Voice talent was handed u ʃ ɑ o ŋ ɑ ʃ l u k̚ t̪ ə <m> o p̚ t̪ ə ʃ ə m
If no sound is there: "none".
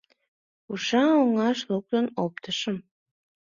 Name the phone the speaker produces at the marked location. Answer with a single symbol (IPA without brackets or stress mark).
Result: n